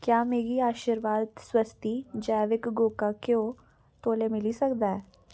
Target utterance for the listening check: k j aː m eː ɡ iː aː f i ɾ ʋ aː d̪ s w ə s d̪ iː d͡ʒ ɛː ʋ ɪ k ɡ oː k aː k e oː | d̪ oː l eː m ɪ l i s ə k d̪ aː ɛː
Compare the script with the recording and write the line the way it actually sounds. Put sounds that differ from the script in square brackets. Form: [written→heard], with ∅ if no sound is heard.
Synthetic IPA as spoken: k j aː m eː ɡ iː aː [f→ʃ] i ɾ ʋ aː d̪ s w ə s [d̪→t̪] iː d͡ʒ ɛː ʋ ɪ k ɡ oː k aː k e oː | [d̪→t̪] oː l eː m ɪ l i s ə k d̪ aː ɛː

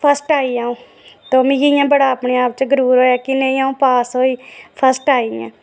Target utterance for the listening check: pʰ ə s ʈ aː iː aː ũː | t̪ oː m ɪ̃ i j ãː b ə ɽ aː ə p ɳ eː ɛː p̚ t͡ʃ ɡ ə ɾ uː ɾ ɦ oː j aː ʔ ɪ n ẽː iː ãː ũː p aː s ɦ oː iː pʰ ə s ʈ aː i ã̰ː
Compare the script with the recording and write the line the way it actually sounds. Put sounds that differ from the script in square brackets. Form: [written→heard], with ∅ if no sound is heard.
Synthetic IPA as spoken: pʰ ə s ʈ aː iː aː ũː | t̪ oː m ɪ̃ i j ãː b ə ɽ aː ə p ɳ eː [ɛː→aː] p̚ t͡ʃ ɡ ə ɾ uː ɾ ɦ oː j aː [ʔ→k] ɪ n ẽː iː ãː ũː p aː s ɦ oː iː pʰ ə s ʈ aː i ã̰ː

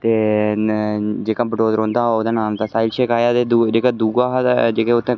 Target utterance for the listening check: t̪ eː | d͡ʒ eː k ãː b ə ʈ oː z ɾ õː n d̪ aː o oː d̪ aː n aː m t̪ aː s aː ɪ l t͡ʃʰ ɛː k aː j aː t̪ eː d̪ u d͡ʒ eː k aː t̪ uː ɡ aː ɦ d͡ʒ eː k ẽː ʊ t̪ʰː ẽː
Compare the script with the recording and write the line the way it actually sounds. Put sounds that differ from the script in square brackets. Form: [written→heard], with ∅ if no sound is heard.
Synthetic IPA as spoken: t̪ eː | d͡ʒ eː k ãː b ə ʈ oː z ɾ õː n d̪ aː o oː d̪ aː n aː m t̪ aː s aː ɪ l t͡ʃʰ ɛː k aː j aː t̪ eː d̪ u d͡ʒ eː k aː [t̪→d̪] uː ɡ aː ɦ d͡ʒ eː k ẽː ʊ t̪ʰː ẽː

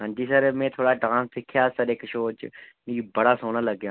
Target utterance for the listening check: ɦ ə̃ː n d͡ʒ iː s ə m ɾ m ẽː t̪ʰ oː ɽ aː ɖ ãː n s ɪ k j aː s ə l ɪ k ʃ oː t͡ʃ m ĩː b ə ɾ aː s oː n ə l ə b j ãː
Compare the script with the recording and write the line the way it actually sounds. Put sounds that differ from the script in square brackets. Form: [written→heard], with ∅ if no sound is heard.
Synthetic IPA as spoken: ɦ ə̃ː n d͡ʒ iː s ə [m→∅] ɾ m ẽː t̪ʰ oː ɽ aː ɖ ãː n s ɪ [k→kʰ] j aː s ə [l→ɾ] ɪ k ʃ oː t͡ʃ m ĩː b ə [ɾ→ɽ] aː s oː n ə l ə [b→ɡ] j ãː

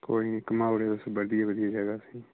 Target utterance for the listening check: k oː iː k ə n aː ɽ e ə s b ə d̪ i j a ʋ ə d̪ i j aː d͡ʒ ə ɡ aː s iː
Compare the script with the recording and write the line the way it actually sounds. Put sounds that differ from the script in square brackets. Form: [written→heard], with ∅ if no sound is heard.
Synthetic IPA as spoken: k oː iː k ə [n→m] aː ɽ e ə s b ə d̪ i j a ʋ ə d̪ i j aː d͡ʒ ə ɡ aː s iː

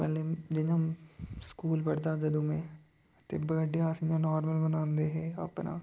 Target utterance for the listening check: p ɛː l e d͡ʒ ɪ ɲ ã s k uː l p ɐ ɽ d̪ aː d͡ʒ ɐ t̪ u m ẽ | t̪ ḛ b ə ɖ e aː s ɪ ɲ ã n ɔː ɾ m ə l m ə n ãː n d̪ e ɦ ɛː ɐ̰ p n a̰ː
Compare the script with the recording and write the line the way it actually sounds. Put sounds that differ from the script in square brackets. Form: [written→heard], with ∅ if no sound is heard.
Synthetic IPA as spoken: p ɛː l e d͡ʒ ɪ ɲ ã s k uː l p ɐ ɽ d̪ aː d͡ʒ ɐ [t̪→d̪] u m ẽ | t̪ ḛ b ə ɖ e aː s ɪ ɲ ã n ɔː ɾ m ə l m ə n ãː n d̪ e ɦ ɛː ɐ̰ p n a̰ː

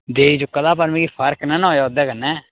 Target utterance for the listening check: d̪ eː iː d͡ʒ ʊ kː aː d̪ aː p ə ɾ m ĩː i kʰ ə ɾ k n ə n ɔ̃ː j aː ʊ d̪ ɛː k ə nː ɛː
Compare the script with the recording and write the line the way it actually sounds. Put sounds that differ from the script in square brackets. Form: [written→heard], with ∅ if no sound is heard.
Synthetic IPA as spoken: d̪ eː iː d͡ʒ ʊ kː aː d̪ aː p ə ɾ m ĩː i [kʰ→pʰ] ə ɾ k n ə n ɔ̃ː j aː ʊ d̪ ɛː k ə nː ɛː

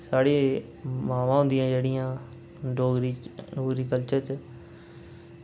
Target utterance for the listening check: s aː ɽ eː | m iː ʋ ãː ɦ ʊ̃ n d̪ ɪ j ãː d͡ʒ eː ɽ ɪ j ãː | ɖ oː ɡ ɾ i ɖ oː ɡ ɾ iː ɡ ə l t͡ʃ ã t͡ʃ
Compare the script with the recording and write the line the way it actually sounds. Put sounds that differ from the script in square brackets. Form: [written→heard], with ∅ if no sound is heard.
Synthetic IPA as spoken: s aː ɽ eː | m [iː→aː] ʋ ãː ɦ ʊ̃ n d̪ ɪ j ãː d͡ʒ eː ɽ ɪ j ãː | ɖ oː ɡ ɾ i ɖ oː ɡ ɾ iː [ɡ→k] ə l t͡ʃ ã t͡ʃ

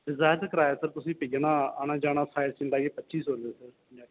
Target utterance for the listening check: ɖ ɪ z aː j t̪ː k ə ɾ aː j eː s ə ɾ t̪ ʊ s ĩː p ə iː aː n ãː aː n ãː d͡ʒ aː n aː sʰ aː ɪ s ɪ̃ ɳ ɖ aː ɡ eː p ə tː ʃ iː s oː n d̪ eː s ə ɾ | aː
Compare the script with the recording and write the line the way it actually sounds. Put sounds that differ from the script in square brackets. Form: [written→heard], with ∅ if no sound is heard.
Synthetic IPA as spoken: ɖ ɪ z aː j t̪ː k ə ɾ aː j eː s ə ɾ t̪ ʊ s ĩː p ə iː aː n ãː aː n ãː d͡ʒ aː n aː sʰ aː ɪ s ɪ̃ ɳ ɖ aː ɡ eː p ə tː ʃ iː s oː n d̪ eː s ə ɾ | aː

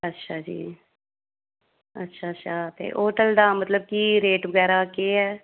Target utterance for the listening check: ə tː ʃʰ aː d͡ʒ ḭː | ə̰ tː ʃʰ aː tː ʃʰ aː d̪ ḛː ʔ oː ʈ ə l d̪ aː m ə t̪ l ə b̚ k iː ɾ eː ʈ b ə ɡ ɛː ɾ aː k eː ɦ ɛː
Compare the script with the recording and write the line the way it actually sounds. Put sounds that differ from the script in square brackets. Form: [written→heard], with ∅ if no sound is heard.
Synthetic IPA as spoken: ə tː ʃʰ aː d͡ʒ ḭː | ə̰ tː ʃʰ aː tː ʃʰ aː [d̪→t̪] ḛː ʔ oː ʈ ə l d̪ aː m ə t̪ l ə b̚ k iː ɾ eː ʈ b ə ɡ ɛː ɾ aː k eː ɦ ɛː

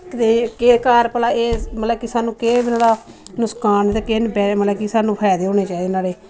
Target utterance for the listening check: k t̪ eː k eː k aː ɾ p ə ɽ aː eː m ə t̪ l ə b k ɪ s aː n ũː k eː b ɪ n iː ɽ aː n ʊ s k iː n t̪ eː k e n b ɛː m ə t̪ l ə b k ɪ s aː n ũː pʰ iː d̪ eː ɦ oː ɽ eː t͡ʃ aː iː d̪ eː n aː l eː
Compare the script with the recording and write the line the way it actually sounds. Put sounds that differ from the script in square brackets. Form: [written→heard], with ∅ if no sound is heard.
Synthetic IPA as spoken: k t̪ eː k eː k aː ɾ p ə [ɽ→l] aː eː m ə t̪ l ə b k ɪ s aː n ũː k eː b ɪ n [iː→aː] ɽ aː n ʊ s k [iː→aː] n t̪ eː k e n b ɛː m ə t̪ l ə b k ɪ s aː n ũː pʰ [iː→ɛː] d̪ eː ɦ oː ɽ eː t͡ʃ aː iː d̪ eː n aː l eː

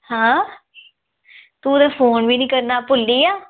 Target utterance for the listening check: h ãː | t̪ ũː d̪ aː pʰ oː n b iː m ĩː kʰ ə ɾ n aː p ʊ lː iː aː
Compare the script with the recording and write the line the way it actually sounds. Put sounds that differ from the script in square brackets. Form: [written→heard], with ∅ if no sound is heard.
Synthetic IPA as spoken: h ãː | t̪ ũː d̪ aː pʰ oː n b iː [m→n] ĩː [kʰ→k] ə ɾ n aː p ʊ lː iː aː

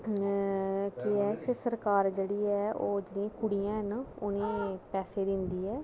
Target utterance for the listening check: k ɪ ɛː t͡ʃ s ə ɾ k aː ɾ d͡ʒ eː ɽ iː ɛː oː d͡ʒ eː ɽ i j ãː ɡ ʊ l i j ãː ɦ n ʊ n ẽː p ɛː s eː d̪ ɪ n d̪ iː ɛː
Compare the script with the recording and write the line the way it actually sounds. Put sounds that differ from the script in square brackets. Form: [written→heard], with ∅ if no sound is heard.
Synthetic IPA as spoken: k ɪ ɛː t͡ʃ s ə ɾ k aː ɾ d͡ʒ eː ɽ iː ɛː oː d͡ʒ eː ɽ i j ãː [ɡ→k] ʊ [l→ɽ] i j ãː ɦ n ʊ n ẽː p ɛː s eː d̪ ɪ n d̪ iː ɛː

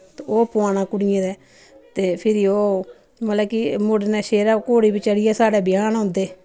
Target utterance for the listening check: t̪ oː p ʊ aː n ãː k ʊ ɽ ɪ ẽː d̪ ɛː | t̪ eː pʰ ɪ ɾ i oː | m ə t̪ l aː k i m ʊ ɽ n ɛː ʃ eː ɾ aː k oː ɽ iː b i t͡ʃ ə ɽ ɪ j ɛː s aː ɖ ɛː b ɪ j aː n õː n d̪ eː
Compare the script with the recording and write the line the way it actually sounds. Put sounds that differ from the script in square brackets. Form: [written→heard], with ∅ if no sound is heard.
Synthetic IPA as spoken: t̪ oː p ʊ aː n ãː k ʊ ɽ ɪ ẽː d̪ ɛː | t̪ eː pʰ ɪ ɾ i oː | m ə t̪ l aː k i m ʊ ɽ n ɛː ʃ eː ɾ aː k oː ɽ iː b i t͡ʃ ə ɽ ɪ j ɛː s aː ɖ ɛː b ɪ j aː n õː n d̪ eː

